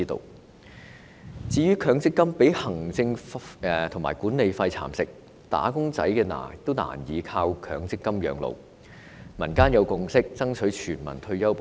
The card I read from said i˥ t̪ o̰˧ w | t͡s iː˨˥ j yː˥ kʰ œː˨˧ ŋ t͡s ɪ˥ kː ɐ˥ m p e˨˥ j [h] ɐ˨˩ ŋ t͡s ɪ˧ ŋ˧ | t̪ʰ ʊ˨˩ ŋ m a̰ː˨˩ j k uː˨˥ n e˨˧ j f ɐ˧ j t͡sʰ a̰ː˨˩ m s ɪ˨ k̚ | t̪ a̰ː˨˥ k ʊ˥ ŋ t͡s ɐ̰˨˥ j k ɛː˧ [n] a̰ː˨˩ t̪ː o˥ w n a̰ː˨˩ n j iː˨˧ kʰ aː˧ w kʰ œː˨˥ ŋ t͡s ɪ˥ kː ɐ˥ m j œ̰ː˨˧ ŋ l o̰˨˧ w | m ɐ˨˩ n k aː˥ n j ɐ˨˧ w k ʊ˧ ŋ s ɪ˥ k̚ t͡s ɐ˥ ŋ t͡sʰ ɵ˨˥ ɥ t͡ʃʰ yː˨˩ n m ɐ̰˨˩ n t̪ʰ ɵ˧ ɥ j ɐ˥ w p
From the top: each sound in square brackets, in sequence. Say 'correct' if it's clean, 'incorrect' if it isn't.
correct, correct

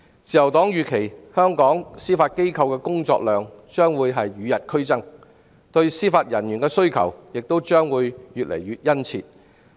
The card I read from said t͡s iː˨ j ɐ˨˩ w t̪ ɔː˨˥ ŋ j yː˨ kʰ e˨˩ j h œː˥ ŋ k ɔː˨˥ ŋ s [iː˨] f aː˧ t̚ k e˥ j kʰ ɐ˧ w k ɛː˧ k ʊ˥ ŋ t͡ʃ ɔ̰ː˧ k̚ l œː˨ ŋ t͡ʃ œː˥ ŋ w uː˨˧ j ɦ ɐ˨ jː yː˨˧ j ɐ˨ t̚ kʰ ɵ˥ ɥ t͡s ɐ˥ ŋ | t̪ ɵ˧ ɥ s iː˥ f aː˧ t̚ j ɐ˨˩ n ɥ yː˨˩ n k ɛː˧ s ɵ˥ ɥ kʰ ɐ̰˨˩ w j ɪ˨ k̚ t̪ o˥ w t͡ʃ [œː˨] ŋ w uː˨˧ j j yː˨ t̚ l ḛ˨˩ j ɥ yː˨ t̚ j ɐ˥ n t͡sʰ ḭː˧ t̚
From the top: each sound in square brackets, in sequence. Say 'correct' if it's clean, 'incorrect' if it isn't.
incorrect: iː˥, incorrect: œː˥

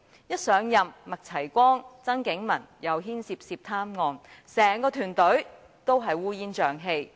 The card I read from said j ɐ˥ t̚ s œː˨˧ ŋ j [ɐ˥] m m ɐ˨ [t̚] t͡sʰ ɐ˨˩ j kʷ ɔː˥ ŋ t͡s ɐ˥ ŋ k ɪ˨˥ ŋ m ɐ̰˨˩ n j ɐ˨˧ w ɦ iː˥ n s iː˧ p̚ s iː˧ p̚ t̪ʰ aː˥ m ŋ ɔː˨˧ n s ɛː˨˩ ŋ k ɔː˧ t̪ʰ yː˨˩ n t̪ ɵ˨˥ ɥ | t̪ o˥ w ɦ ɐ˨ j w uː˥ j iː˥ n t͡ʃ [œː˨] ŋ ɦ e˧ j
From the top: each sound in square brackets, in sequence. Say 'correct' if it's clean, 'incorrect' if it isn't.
incorrect: ɐ˨, incorrect: k̚, correct

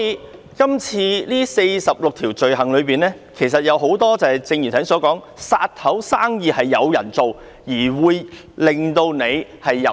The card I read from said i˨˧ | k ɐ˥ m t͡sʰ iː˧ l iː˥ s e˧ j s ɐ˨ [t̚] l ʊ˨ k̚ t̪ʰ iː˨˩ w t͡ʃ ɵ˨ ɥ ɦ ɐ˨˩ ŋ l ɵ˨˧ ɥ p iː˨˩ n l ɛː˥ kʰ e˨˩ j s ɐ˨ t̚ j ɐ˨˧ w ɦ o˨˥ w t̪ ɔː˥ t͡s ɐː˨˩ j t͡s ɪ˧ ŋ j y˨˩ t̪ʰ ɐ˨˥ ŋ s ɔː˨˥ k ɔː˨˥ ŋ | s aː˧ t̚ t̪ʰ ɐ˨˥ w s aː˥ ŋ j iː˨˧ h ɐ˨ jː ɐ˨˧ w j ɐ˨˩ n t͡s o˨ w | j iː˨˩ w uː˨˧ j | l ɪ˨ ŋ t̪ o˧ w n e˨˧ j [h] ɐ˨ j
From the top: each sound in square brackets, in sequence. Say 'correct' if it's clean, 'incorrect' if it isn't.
incorrect: p̚, correct

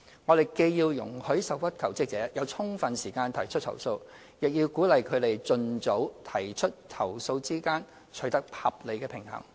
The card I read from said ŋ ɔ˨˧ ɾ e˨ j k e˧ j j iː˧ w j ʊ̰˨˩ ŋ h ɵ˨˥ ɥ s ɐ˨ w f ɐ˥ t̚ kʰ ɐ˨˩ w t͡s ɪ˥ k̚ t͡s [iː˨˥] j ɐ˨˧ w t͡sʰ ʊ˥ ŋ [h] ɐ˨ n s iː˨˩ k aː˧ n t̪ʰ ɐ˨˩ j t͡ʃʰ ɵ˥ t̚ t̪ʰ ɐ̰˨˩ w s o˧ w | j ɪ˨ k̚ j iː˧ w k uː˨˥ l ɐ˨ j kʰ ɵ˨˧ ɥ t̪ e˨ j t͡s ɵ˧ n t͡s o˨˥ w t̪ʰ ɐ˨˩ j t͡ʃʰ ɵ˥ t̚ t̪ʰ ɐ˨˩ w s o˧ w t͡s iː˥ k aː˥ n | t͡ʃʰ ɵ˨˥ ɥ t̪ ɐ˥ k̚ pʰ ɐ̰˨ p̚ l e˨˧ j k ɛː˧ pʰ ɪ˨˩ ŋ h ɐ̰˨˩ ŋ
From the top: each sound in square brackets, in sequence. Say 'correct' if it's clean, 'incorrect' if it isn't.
incorrect: ɛː˨˥, incorrect: f

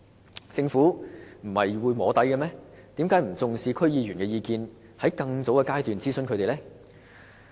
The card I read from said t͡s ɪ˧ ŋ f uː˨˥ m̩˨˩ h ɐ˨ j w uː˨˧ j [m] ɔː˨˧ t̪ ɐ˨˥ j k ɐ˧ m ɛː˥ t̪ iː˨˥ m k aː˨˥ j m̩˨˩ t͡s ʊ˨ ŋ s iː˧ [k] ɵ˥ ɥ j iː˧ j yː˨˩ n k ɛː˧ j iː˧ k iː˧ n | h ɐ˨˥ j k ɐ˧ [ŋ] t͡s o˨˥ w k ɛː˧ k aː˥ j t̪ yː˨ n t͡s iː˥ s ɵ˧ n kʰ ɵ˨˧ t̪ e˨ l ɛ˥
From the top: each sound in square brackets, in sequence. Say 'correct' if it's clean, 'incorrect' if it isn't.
correct, incorrect: kʰ, correct

